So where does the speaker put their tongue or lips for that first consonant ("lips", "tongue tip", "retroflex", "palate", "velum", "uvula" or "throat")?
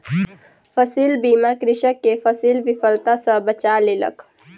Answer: lips